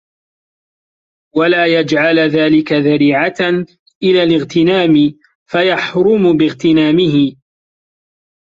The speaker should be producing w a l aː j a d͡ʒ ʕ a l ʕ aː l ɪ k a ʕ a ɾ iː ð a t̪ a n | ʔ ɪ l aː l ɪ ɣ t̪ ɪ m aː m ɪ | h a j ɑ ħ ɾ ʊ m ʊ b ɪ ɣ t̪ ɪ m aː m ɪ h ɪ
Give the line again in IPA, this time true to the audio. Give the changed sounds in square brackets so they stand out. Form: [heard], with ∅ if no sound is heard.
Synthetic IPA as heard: w a l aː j a d͡ʒ ʕ a l [ð] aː l ɪ k a [ð] a ɾ iː [ʕ] a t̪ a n | ʔ ɪ l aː l ɪ ɣ t̪ ɪ [n] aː m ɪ | [f] a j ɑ ħ ɾ ʊ m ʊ b ɪ ɣ t̪ ɪ [n] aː m ɪ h ɪ